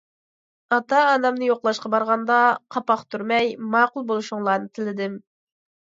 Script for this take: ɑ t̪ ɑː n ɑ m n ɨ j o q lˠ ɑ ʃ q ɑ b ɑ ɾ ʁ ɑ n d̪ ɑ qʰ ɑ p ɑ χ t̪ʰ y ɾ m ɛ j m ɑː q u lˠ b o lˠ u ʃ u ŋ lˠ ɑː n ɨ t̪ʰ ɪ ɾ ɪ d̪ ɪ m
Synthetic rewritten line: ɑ t̪ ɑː n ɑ m n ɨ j o q lˠ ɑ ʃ q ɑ b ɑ ɾ ʁ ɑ n d̪ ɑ qʰ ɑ p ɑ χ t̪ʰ y ɾ m ɛ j m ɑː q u lˠ b o lˠ u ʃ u ŋ lˠ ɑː n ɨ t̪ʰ ɪ l ɪ d̪ ɪ m